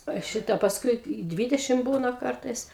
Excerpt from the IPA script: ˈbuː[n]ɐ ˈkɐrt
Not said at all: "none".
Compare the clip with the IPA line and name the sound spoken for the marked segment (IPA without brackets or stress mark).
n